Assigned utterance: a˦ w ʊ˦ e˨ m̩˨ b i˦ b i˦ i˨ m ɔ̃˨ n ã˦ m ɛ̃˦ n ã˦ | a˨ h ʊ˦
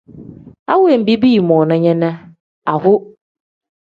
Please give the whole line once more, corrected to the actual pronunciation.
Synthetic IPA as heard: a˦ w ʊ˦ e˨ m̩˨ b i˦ b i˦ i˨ m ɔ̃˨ n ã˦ ɲ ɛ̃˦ n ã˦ | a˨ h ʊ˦